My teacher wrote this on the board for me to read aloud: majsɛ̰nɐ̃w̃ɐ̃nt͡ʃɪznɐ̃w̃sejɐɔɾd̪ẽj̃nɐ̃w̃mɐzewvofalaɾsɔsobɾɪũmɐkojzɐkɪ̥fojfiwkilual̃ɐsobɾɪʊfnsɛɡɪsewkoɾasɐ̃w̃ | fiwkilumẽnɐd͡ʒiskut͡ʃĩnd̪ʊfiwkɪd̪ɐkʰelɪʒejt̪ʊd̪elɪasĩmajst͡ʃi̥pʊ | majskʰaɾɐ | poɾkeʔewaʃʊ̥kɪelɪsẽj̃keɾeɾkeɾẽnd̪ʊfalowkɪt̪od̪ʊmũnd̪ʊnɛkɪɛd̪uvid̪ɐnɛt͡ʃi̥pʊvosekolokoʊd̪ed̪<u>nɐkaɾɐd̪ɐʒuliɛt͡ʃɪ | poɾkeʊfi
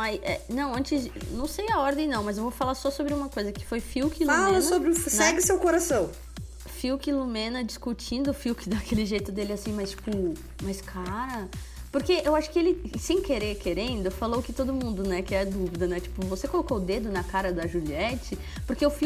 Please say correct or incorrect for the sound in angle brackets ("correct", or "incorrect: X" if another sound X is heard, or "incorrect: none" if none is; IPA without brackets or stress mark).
incorrect: ʊ